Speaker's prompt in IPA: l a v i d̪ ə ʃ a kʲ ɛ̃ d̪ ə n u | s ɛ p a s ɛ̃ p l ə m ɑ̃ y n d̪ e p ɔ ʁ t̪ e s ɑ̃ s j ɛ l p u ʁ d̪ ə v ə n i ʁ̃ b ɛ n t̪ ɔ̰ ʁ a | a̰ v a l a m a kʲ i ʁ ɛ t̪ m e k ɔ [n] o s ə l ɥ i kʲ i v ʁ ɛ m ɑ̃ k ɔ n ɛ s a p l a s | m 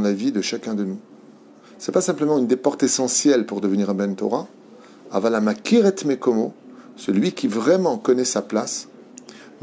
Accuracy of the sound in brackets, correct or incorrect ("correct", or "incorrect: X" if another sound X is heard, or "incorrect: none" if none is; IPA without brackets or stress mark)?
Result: incorrect: m